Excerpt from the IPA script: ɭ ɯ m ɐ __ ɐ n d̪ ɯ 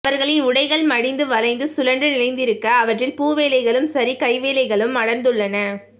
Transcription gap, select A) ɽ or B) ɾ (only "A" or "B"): A